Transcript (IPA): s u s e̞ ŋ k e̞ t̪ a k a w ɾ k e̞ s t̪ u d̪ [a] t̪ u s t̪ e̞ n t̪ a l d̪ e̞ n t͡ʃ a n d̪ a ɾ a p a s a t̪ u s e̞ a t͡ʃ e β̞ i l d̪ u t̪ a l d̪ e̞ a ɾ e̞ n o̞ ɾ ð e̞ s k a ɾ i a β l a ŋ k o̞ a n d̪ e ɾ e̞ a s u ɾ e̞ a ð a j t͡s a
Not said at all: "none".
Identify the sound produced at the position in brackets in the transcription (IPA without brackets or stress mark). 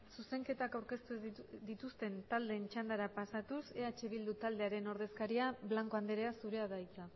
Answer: i